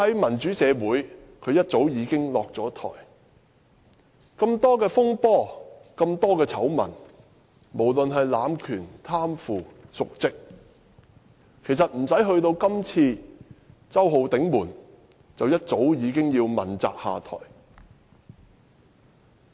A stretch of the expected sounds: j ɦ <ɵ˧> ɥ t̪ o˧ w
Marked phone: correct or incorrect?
correct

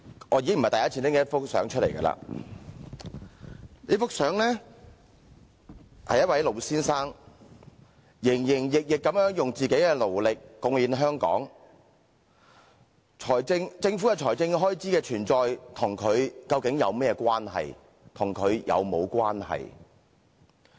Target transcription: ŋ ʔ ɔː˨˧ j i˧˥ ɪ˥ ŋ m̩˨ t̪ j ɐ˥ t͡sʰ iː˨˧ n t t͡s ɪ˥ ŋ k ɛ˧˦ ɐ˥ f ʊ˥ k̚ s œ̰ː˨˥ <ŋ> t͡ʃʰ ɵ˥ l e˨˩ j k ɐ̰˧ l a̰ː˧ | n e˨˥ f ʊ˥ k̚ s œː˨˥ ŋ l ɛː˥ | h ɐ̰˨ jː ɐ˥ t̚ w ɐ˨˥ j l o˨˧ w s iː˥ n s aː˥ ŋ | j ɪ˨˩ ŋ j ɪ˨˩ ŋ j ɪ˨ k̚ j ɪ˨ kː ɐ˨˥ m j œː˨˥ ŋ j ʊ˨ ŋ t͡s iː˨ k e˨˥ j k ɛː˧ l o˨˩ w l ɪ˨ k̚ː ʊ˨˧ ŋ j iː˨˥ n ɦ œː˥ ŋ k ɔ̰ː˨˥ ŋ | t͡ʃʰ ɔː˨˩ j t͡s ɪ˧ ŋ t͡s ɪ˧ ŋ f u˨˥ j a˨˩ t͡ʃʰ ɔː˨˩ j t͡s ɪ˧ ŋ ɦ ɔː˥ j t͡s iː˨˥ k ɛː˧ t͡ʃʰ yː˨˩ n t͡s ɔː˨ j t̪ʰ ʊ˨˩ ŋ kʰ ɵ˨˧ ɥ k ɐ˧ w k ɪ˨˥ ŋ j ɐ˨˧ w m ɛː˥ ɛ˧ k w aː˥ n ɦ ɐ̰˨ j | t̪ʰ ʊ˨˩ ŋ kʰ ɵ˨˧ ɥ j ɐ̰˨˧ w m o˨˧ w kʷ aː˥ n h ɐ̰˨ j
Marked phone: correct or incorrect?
correct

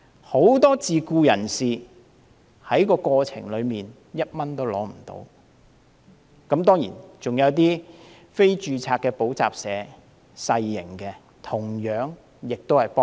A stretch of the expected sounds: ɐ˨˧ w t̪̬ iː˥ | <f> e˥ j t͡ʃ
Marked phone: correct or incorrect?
correct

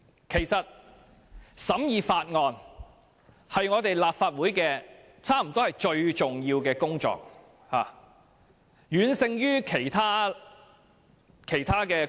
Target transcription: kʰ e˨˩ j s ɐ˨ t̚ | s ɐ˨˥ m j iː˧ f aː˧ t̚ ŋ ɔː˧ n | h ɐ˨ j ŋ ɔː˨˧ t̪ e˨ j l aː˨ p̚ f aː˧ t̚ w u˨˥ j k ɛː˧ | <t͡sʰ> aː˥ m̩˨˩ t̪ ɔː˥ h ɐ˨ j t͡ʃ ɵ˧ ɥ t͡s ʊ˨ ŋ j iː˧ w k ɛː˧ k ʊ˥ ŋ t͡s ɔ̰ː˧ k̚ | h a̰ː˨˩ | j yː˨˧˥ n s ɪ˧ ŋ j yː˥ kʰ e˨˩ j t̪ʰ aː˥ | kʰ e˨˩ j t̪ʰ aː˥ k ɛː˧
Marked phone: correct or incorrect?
correct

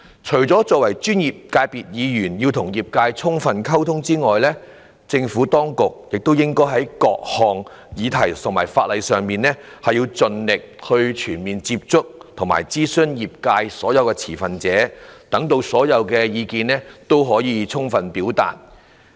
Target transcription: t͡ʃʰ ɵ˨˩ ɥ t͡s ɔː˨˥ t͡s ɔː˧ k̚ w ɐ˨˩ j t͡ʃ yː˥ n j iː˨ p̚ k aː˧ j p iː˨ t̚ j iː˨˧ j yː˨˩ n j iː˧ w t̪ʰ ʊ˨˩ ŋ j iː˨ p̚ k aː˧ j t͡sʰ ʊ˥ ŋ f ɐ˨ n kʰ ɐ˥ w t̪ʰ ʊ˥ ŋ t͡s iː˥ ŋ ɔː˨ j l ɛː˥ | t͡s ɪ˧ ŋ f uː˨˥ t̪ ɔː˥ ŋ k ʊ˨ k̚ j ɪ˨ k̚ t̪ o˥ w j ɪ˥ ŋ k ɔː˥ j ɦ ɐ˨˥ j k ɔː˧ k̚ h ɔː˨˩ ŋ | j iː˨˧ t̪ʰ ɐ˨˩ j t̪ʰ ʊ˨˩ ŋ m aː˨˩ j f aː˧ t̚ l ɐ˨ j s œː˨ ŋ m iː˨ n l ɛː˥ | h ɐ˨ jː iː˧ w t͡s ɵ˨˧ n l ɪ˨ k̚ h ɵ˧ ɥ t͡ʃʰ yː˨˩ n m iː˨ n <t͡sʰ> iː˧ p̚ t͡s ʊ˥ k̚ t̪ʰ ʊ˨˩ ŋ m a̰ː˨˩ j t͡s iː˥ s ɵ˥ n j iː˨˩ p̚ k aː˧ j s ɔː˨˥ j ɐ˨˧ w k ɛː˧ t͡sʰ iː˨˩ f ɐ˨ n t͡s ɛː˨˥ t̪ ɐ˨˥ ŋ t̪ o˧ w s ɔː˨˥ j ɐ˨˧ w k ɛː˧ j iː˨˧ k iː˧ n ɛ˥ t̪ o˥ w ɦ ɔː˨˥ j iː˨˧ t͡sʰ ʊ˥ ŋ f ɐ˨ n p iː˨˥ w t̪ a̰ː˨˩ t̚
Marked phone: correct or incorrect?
incorrect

